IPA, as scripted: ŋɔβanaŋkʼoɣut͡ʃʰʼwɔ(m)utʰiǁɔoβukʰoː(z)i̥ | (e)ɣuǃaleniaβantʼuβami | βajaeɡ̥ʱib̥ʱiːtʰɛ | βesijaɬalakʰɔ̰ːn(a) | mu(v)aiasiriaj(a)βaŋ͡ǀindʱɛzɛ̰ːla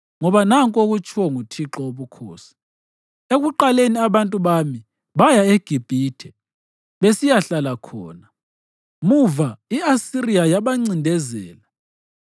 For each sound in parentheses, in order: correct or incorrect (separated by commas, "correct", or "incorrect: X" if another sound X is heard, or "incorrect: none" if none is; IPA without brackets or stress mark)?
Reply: incorrect: ŋ, incorrect: s, correct, correct, correct, correct